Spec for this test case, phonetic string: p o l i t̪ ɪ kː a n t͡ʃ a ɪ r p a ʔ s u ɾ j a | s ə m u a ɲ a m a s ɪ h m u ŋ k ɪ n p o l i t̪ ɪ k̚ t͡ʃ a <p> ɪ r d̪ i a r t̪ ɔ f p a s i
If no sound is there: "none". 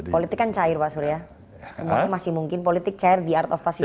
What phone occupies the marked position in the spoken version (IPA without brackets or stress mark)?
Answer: none